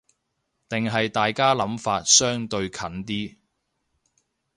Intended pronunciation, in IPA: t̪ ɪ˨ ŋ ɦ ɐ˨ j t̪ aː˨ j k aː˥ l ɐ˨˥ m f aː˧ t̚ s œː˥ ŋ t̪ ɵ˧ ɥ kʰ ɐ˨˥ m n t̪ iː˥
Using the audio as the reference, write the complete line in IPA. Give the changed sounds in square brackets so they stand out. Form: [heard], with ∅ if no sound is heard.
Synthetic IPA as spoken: t̪ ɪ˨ ŋ ɦ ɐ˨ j t̪ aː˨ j k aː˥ l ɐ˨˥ m f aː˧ t̚ s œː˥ ŋ t̪ ɵ˧ ɥ kʰ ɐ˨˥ [∅] n t̪ iː˥